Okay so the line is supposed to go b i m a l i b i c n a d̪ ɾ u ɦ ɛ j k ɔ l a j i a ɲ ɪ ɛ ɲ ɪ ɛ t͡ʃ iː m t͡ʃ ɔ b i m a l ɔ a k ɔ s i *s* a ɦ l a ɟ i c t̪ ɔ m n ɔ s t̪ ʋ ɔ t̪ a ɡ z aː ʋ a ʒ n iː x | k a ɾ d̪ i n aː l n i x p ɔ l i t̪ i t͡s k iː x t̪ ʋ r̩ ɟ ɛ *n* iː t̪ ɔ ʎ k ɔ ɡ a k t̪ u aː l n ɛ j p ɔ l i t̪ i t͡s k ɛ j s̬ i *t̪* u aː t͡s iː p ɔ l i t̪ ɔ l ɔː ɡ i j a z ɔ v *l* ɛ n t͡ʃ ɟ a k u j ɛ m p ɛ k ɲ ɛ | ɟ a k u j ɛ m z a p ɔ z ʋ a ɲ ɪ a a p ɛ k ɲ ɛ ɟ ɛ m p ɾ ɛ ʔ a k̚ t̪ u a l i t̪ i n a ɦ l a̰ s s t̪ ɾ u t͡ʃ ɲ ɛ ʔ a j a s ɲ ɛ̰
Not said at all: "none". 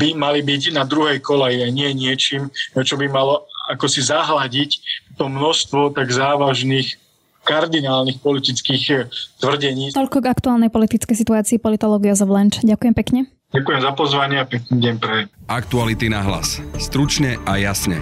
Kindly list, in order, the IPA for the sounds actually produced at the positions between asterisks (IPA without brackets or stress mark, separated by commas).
z, ɲ, t̪, l